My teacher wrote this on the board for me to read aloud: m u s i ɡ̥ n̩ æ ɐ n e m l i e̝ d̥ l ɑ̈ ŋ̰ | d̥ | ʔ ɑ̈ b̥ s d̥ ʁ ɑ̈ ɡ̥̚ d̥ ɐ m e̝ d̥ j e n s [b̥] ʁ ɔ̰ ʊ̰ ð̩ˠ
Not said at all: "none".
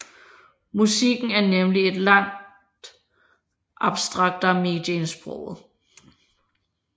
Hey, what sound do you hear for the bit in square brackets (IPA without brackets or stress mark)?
b̥